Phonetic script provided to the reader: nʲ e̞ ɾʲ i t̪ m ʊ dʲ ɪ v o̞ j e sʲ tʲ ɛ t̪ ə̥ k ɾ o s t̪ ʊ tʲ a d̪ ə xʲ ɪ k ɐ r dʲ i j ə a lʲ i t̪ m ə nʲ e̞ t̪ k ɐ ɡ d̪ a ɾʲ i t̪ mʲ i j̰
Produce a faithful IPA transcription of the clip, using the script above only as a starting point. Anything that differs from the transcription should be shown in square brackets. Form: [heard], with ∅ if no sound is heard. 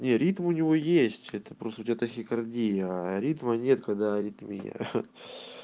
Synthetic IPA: nʲ e̞ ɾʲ i t̪ m ʊ [nʲ] ɪ v o̞ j e sʲ tʲ ɛ t̪ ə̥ [p] ɾ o s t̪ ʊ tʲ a [t̪] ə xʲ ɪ k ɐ r dʲ i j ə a [ɾʲ] i t̪ m ə nʲ e̞ t̪ k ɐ ɡ d̪ a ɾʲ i t̪ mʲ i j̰